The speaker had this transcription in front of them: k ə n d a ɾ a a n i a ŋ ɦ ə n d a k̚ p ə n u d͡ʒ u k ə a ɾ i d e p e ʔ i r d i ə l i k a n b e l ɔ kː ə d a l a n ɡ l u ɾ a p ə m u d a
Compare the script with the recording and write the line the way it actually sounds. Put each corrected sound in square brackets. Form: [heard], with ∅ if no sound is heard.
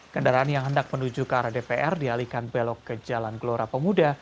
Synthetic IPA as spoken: k ə n d a ɾ a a n [j] a ŋ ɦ ə n d a k̚ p ə n u d͡ʒ u k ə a ɾ [a] d e p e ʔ [ɛ] r d i [a] l i k a n b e l ɔ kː ə [d͡ʒ] a l a n ɡ l [o] ɾ a p ə m u d a